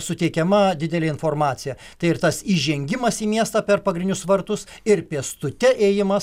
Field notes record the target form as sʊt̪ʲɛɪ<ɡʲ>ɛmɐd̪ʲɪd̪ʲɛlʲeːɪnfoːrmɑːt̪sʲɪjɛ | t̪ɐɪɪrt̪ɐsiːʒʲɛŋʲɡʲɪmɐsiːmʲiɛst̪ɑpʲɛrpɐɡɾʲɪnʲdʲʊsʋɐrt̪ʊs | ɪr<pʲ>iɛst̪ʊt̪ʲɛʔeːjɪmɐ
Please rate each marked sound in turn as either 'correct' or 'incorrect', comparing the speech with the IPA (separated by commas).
incorrect, correct